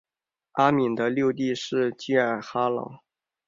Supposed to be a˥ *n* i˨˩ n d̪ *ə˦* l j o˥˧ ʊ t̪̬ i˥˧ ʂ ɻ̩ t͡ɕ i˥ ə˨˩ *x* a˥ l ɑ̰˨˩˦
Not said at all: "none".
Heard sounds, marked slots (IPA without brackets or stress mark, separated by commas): m, ə˦, x